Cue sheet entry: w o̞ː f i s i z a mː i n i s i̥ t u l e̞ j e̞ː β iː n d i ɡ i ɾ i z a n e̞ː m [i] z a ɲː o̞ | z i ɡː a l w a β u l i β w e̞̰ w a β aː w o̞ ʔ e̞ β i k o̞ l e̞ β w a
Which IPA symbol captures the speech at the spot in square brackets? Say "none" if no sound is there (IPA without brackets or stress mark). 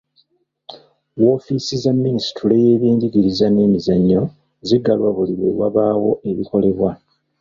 i